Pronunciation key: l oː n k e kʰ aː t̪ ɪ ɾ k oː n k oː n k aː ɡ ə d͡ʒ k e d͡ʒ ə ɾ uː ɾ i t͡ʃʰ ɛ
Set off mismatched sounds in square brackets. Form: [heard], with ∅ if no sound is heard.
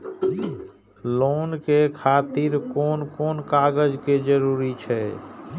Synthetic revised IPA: l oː n k e kʰ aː t̪ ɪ ɾ k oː n k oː n k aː ɡ ə d͡ʒ k e d͡ʒ ə ɾ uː ɾ i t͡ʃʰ ɛ